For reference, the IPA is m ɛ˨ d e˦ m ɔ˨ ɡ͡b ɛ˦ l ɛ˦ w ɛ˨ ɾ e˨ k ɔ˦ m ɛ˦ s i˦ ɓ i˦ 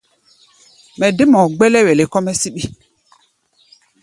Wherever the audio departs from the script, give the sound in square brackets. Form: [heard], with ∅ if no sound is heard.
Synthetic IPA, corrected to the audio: m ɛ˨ d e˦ m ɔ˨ ɡ͡b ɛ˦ l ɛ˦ w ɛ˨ [l] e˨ k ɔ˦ m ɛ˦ s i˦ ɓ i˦